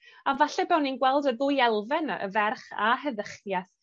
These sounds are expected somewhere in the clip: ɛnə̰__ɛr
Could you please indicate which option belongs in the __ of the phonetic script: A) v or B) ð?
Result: A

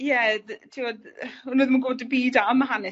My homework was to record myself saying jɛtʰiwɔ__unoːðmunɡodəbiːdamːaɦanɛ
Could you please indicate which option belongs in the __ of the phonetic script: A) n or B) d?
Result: B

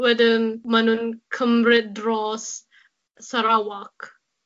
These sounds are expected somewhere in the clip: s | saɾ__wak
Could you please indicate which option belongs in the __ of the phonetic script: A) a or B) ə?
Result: A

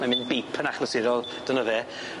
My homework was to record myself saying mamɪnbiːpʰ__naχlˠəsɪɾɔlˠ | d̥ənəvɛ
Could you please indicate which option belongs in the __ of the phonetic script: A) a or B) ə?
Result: B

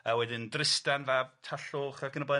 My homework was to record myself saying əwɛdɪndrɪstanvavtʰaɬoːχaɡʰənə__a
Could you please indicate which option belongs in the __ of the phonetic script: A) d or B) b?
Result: B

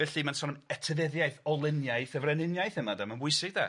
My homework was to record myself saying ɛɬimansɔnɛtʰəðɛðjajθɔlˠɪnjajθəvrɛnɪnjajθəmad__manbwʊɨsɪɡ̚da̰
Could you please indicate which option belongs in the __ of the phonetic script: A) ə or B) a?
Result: B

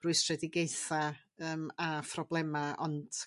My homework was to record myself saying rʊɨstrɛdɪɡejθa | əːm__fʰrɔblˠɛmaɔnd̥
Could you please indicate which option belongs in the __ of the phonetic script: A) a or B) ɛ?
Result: A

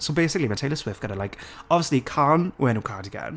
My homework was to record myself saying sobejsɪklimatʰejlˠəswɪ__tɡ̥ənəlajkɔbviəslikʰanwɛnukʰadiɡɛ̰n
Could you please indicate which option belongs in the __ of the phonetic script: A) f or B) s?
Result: A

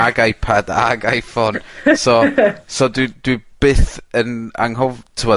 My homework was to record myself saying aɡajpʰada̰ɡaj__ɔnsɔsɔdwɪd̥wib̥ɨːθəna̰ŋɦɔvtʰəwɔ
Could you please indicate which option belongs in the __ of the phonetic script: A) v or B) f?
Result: B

